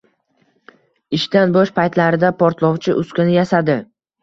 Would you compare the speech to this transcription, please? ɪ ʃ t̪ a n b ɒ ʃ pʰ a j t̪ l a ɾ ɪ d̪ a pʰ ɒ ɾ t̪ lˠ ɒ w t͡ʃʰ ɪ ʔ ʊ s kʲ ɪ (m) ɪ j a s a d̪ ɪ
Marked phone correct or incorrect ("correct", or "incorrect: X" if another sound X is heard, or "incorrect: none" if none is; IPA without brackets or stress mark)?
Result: incorrect: n